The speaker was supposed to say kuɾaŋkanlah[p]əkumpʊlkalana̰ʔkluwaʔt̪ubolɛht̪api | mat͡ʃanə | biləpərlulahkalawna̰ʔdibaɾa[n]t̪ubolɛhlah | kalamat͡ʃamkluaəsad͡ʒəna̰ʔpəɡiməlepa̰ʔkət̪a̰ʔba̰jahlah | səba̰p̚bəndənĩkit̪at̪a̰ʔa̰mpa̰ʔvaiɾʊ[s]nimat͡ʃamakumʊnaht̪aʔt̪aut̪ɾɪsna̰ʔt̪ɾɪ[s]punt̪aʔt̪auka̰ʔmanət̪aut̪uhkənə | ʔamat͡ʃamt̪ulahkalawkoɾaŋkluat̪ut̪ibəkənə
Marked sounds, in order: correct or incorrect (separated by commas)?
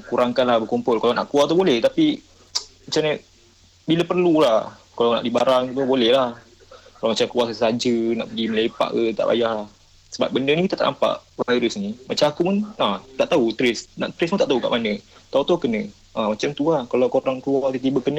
incorrect, incorrect, correct, correct